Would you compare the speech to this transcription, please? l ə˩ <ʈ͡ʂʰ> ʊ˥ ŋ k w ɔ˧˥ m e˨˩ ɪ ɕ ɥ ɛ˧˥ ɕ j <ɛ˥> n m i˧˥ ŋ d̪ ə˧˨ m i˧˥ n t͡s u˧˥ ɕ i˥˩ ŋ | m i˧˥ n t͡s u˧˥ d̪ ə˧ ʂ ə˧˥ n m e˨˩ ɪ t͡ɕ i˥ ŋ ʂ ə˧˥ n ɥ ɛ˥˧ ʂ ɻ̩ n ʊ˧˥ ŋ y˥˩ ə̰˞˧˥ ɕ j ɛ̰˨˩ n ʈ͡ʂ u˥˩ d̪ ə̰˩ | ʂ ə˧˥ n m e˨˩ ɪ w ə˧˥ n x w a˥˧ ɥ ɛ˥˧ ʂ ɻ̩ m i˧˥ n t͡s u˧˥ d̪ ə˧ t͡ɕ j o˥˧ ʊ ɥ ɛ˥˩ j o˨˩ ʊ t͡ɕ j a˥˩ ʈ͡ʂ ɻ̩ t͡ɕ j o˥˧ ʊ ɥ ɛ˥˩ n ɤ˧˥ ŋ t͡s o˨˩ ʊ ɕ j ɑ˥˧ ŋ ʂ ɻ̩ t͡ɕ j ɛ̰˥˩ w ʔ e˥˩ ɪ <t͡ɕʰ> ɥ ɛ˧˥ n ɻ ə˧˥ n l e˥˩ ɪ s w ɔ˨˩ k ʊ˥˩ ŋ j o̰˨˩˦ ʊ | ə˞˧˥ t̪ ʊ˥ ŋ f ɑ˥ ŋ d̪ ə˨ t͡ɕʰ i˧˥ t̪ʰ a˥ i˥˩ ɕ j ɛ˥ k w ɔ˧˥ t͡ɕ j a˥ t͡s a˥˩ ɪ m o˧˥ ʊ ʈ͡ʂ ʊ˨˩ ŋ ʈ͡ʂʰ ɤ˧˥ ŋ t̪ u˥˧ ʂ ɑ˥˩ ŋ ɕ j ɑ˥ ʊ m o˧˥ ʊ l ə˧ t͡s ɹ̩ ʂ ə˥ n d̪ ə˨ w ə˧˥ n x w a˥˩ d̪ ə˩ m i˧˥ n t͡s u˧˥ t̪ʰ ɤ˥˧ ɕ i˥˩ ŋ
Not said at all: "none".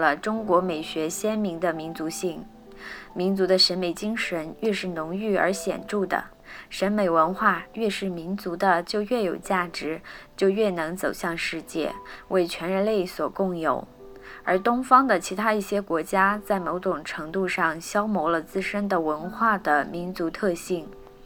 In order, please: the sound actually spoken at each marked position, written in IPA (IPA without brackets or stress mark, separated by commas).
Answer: ʈ͡ʂ, ɛ˥, t͡ɕʰ